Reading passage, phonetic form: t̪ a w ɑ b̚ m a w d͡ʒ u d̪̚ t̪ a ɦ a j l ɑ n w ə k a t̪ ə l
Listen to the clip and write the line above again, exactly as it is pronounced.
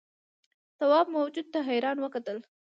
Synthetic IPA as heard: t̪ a w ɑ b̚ m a w d͡ʒ u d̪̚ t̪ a ɦ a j ɾ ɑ n w ə k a t̪ ə l

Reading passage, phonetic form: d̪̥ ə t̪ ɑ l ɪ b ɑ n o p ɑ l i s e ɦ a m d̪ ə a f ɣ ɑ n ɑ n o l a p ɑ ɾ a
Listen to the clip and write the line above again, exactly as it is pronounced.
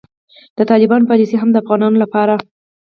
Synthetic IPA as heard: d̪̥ ə t̪ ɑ l ɪ b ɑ n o p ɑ l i s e ɦ a m d̪ ə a f ɣ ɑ n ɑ n o l a p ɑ ɾ a

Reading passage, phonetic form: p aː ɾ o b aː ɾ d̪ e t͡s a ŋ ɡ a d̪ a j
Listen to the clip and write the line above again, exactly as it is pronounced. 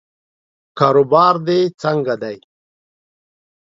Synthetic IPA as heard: k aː ɾ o b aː ɾ d̪ e t͡s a ŋ ɡ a d̪ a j

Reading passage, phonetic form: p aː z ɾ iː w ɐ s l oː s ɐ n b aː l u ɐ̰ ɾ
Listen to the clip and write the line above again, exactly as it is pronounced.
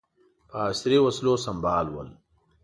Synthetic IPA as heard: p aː s ɾ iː w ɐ s l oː s ɐ m b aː l w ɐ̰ l

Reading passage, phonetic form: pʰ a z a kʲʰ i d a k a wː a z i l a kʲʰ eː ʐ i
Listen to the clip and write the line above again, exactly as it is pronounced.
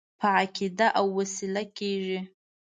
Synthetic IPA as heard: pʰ a ʕ a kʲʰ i d a ʔ a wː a s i l a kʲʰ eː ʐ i

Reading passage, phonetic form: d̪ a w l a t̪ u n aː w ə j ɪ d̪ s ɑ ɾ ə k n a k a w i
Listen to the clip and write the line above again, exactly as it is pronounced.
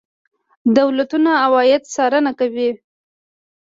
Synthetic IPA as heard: d̪ a w l a t̪ u n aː w ɑ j ɪ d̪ s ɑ ɾ ə n a k a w i

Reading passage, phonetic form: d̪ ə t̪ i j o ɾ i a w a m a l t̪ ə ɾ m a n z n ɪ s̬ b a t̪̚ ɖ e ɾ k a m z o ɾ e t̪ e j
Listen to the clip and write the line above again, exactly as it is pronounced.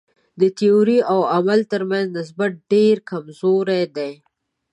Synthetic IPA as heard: d̪ ə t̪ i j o ɾ i a w a m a l t̪ ə ɾ m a n z n ɪ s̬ b a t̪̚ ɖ e ɾ k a m z o ɾ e d̪ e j

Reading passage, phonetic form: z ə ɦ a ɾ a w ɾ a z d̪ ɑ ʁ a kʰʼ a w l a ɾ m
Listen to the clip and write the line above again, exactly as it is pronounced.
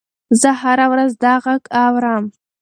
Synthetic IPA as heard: z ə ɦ a ɾ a w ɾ a z d̪ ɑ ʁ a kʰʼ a w ɾ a m

